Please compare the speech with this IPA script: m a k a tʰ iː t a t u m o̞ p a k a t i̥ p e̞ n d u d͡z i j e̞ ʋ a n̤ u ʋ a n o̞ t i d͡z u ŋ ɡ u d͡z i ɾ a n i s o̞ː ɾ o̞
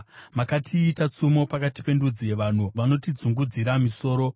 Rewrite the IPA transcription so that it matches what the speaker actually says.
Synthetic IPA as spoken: m a k a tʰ iː t a t͡s u m o̞ p a k a t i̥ p e̞ n d u d͡z i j e̞ ʋ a n̤ u ʋ a n o̞ t i d͡z u ŋ ɡ u d͡z i ɾ a m i s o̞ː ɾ o̞